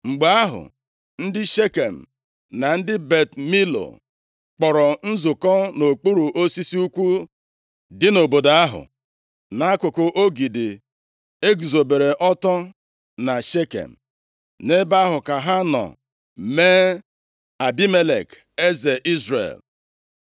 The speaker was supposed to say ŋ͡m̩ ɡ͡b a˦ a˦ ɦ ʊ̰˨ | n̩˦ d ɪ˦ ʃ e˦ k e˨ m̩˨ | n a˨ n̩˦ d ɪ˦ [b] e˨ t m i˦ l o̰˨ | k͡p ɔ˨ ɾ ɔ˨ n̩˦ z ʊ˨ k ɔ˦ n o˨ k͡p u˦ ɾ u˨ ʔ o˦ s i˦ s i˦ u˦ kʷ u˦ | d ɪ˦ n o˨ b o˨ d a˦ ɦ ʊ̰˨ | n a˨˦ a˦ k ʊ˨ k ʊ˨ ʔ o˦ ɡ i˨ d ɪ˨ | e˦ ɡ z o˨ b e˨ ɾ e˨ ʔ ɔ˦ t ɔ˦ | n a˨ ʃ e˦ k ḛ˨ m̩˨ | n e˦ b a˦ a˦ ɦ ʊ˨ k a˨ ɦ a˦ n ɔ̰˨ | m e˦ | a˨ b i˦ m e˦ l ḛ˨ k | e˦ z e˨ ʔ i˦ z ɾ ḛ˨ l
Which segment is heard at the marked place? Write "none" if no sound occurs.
b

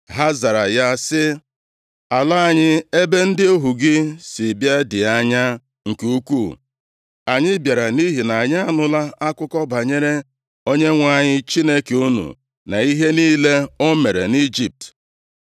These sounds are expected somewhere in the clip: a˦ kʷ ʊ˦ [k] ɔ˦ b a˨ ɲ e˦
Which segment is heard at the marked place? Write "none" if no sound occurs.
k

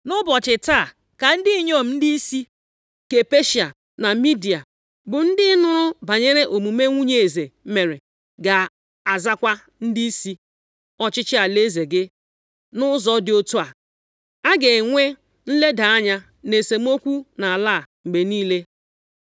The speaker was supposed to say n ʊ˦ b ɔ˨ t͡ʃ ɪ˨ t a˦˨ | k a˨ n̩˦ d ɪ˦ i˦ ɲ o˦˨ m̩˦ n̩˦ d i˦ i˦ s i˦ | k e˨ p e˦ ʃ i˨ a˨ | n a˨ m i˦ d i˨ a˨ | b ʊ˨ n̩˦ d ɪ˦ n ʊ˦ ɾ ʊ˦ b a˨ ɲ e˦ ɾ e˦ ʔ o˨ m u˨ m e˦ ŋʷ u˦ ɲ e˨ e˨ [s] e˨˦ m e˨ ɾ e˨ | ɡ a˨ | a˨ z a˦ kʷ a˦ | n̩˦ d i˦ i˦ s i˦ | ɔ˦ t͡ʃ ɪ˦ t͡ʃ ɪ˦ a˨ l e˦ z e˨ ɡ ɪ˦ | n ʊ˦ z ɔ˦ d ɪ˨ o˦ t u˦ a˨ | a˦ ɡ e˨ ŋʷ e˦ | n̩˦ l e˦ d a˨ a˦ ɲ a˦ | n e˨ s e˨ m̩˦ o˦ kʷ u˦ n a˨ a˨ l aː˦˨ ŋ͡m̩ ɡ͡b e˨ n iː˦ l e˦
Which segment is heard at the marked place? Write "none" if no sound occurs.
z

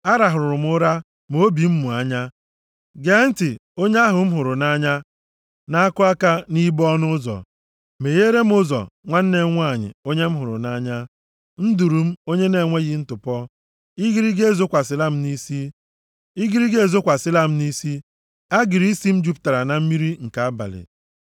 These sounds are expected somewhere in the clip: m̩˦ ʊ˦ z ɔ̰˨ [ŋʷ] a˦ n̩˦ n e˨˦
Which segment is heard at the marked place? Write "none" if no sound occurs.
ŋʷ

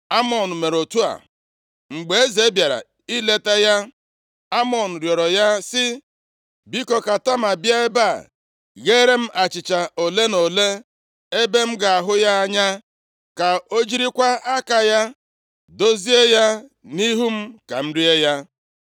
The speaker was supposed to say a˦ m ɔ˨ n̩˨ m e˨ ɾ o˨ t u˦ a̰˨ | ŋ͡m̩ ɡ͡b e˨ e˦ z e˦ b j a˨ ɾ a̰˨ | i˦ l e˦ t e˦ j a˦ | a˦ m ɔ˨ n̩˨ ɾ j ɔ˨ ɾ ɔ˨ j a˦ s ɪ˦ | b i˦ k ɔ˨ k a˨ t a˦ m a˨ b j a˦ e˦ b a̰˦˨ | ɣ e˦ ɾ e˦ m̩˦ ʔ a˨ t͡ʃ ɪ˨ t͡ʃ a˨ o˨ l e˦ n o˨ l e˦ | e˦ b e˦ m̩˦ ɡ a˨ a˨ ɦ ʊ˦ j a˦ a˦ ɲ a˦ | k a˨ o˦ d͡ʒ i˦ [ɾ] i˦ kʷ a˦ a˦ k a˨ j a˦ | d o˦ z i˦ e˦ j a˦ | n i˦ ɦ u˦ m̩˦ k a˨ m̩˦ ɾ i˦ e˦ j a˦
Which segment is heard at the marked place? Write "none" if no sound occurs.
ɾ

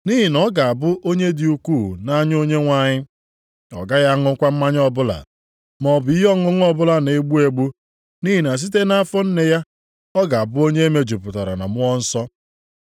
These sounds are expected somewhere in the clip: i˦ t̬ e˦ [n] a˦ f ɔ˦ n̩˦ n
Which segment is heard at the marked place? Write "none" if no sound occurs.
n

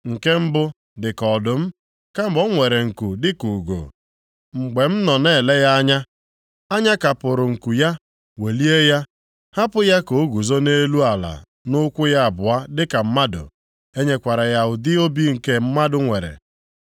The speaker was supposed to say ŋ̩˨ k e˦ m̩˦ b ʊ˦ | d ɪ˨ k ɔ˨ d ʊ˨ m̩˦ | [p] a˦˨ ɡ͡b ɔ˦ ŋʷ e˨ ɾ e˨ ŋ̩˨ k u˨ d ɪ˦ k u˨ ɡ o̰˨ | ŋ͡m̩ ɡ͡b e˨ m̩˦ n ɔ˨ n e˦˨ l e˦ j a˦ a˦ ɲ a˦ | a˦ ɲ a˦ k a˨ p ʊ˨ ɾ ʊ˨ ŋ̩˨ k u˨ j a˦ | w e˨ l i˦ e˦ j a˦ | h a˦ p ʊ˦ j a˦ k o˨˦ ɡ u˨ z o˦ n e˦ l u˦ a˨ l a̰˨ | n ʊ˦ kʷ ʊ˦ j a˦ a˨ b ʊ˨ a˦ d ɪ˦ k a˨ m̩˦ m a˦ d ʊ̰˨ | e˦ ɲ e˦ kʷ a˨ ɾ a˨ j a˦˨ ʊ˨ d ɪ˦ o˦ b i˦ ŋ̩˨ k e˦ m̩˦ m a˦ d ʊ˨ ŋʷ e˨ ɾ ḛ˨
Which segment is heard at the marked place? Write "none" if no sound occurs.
k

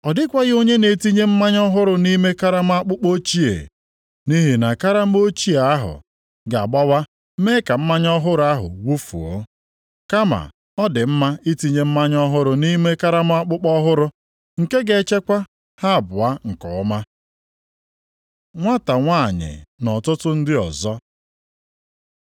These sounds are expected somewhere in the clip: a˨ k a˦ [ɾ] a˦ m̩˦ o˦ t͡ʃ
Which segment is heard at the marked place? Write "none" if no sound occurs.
ɾ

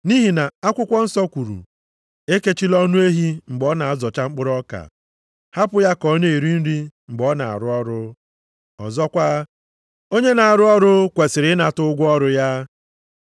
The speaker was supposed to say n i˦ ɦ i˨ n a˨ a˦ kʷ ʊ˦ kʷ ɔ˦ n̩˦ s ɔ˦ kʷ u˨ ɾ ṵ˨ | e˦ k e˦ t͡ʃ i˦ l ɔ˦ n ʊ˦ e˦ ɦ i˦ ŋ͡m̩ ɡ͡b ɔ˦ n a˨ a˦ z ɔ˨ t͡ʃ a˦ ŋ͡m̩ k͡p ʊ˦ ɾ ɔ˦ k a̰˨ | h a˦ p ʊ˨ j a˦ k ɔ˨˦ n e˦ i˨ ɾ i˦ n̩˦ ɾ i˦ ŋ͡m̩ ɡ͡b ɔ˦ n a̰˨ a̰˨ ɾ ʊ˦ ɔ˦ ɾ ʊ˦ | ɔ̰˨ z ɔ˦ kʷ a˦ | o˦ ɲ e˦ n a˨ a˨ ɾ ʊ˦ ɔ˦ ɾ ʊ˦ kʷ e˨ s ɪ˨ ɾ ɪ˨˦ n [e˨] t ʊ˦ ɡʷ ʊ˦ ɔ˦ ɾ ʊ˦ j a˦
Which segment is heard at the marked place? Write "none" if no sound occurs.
a˨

